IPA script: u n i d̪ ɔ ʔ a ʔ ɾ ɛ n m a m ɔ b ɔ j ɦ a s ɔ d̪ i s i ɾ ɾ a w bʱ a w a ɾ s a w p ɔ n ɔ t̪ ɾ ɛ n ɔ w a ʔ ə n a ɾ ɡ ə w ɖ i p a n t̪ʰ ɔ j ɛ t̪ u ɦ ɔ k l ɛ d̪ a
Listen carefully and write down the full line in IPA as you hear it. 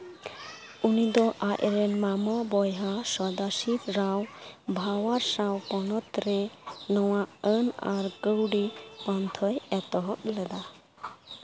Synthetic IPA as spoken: u n i d̪ ɔ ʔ a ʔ ɾ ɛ n m a m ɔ b ɔ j ɦ a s ɔ d̪ a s i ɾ ɾ a w bʱ a w a ɾ s a w p ɔ n ɔ t̪ ɾ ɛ n ɔ w a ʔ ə n a ɾ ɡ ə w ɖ i p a n t̪ʰ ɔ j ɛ t̪ ɔ ɦ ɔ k l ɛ d̪ a